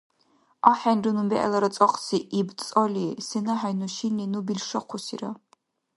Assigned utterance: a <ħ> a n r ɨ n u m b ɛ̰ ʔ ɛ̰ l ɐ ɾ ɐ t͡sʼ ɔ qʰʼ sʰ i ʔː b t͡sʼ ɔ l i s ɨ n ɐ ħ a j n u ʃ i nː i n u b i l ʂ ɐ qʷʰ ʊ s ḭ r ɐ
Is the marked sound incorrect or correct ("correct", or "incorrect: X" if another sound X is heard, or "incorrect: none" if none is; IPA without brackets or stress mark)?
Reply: correct